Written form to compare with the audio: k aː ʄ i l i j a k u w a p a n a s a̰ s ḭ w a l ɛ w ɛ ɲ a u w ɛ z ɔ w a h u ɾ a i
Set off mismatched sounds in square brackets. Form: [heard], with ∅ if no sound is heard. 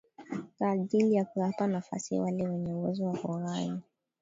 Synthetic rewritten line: k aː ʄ i l i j a k u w a p a n a [f] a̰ s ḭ w a l ɛ w ɛ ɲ [ɛ] u w ɛ z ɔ w a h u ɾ a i